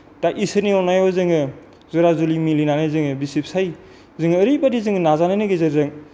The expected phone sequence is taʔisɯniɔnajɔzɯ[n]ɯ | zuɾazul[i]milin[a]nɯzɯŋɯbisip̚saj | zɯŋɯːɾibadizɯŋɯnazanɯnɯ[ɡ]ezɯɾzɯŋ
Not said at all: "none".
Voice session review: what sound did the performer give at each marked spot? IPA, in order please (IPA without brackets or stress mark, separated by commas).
ŋ, i, a, ɡ